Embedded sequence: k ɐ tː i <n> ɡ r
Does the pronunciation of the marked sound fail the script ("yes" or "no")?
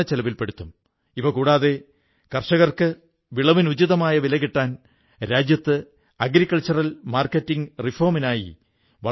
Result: yes